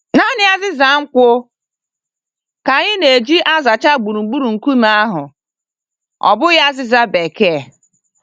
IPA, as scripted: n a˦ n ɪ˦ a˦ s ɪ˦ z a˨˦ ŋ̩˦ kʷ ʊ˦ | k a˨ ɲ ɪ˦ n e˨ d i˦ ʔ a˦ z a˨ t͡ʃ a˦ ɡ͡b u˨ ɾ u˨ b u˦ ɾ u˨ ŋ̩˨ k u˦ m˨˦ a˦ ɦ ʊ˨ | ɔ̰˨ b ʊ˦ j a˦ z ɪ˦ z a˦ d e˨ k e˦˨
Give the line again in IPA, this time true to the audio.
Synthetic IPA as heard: n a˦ n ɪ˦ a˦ z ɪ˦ z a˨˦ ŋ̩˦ kʷ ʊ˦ | k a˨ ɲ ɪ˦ n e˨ d͡ʒ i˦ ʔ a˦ z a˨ t͡ʃ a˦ ɡ͡b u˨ ɾ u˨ ɡ͡b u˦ ɾ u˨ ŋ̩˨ k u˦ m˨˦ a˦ ɦ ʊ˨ | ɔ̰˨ b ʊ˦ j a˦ z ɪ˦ z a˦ b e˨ k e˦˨